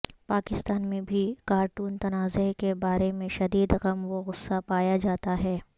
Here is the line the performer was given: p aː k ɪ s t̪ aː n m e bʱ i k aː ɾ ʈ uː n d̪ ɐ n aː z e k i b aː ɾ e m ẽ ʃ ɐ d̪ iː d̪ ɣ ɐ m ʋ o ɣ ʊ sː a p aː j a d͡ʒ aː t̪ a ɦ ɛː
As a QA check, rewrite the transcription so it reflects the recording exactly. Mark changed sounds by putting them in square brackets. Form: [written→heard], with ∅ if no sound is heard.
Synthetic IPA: p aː k ɪ s t̪ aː n m [e→ẽ] bʱ i k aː ɾ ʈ uː n [d̪→t̪] ɐ n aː z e k [i→e] b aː ɾ e m ẽ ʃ ɐ d̪ iː d̪ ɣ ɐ m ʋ o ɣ ʊ sː a p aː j a d͡ʒ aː t̪ a ɦ ɛː

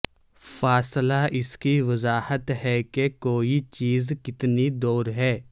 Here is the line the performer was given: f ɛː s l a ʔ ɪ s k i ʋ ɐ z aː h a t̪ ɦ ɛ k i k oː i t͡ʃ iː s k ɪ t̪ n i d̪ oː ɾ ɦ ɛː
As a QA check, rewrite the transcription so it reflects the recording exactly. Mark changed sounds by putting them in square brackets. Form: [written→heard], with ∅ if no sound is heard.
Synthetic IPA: f [ɛː→aː] s l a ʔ ɪ s k i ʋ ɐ z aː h [a→ə] t̪ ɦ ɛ k [i→e] k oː i t͡ʃ iː [s→z] k ɪ t̪ n i d̪ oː ɾ ɦ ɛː

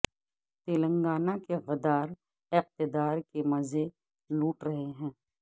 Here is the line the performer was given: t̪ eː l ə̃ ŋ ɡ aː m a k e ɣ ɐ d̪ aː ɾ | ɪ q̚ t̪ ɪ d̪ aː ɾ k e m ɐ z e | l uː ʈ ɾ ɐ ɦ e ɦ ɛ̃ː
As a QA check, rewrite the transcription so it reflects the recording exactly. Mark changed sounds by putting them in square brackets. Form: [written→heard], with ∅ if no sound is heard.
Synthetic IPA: t̪ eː l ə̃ ŋ ɡ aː [m→n] a k e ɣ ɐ d̪ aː ɾ | ɪ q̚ t̪ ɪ d̪ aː ɾ k e m ɐ z e | l uː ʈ ɾ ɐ ɦ e ɦ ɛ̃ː

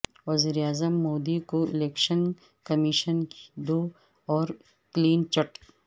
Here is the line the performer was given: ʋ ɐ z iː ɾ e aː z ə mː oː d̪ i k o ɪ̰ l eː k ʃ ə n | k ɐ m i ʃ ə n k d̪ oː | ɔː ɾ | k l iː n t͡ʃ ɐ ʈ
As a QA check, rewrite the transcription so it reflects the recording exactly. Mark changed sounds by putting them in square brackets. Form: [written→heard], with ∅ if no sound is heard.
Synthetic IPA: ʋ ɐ z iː ɾ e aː z ə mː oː d̪ i k o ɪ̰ l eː k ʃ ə n | k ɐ m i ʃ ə n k d̪ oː | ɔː ɾ | k l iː n t͡ʃ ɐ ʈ

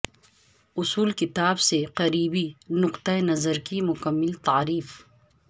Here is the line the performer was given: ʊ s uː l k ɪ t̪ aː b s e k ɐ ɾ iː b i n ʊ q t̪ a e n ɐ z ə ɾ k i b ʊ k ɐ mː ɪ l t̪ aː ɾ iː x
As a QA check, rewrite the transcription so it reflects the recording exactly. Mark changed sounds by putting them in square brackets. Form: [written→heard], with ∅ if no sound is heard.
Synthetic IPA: ʊ s uː l k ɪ t̪ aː b s e [k→q] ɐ ɾ iː b i n ʊ q t̪ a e n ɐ z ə ɾ k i [b→m] ʊ k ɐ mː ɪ l t̪ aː ɾ iː [x→f]

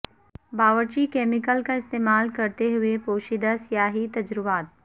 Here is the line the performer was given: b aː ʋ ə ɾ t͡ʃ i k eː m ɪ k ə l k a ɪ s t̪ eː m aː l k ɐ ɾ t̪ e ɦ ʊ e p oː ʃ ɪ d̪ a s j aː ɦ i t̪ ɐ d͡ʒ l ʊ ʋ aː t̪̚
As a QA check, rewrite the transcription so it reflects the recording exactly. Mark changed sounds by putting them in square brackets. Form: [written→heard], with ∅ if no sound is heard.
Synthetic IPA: b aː ʋ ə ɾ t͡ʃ i k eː m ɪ k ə l k a ɪ s t̪ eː m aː l k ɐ ɾ t̪ e ɦ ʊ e p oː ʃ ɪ d̪ a s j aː ɦ i t̪ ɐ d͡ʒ [l→ɾ] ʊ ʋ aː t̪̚

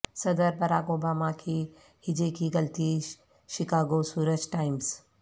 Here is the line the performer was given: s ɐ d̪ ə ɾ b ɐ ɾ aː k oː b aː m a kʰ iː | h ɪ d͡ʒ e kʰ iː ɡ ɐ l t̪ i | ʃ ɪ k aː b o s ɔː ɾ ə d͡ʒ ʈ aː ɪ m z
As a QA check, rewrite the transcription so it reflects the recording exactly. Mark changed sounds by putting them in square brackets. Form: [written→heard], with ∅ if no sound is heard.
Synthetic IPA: s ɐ d̪ ə ɾ b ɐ ɾ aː k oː b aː m a kʰ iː | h ɪ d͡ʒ e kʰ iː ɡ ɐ l t̪ i | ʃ ɪ k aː [b→ɡ] o s [ɔː→uː] ɾ ə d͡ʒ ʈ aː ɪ m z

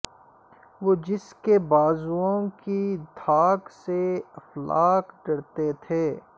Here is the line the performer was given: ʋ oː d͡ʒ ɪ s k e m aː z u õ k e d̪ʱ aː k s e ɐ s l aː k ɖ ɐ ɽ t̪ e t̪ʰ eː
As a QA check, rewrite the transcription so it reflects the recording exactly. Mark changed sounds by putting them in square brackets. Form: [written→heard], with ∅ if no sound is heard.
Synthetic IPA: ʋ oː d͡ʒ ɪ s k e [m→b] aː z u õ k [e→i] d̪ʱ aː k s e ɐ [s→f] l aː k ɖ ɐ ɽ t̪ e t̪ʰ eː

